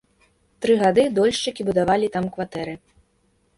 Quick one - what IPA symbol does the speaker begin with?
t̪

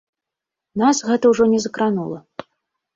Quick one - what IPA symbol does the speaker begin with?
n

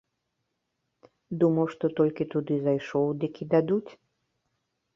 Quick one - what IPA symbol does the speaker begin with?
d̪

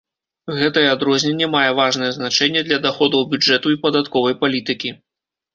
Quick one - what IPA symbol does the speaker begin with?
ɣ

